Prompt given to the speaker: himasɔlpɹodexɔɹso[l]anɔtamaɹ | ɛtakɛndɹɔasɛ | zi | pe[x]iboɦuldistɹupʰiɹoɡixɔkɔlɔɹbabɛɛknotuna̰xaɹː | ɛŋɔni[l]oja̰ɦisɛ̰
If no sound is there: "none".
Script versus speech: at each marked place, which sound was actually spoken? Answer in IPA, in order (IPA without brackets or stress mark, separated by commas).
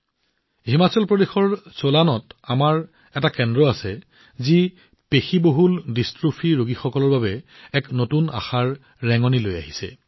l, x, l